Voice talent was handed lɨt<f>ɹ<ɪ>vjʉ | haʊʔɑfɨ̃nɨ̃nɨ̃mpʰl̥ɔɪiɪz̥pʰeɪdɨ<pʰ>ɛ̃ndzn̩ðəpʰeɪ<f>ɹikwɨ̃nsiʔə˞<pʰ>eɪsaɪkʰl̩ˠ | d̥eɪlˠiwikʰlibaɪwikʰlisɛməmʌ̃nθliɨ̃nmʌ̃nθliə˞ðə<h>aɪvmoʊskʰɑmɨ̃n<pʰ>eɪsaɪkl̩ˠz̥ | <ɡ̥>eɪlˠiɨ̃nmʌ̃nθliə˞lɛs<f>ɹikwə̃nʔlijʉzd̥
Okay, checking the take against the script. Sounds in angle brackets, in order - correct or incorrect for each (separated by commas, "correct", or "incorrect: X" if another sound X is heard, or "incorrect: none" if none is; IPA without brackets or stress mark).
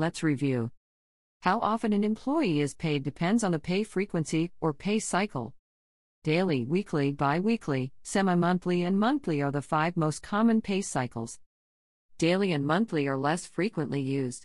incorrect: s, incorrect: i, correct, correct, correct, incorrect: f, correct, incorrect: d̥, correct